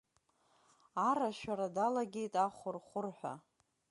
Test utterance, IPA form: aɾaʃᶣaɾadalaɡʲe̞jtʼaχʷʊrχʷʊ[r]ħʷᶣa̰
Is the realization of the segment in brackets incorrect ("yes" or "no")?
no